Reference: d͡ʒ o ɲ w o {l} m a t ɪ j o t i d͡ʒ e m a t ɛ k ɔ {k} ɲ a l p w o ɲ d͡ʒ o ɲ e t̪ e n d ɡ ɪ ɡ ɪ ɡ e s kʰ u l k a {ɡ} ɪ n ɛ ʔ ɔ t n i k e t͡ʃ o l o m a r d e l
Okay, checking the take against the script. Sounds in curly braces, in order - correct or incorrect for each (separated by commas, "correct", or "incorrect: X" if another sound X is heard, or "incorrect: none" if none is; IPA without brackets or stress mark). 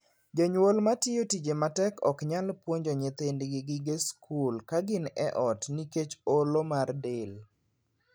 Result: correct, correct, correct